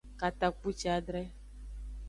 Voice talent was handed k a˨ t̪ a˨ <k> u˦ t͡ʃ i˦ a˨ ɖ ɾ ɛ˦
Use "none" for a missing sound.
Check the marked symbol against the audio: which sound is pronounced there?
k͡p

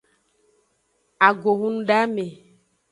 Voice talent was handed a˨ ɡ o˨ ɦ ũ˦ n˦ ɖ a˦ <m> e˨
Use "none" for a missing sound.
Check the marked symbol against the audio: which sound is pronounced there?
m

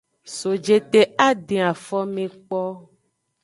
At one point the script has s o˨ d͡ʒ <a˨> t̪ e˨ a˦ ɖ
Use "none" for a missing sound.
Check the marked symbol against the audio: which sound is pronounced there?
e˨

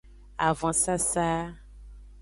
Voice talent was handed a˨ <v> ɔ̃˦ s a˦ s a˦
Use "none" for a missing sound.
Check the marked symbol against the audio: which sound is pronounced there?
v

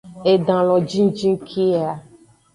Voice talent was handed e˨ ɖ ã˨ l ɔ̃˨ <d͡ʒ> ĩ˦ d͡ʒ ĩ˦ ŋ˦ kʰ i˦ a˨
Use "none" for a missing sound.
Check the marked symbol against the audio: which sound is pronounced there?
d͡ʒ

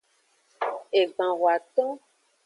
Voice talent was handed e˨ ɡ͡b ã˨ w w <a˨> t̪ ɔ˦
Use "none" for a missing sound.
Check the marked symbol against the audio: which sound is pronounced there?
a˨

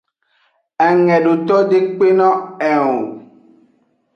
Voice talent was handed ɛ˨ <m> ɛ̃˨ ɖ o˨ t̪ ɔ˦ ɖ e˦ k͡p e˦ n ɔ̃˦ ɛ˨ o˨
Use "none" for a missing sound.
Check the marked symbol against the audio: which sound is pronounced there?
ŋ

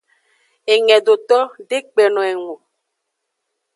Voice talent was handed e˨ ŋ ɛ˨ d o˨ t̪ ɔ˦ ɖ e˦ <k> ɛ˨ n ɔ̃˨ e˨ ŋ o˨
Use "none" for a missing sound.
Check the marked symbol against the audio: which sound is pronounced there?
k͡p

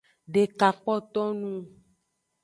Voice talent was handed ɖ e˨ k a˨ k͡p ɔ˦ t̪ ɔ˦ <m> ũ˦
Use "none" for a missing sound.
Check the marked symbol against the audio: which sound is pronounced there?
n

